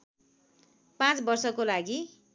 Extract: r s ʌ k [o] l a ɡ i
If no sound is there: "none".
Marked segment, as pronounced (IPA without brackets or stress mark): o